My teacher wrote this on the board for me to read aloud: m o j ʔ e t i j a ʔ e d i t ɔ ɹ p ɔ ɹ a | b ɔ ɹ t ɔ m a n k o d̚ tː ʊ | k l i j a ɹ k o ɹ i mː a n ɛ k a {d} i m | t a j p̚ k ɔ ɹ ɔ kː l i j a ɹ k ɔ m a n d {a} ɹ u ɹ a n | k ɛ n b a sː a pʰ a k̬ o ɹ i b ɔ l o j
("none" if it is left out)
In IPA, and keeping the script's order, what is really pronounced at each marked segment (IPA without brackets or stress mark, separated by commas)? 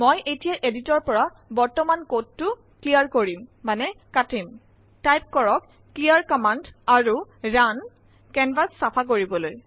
t, a